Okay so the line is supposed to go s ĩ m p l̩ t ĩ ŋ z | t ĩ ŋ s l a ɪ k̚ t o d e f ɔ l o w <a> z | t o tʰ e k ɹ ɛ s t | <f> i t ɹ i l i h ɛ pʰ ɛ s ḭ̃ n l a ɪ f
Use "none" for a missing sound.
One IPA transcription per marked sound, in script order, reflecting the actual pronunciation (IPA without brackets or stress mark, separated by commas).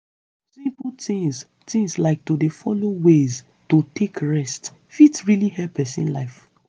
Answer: e, f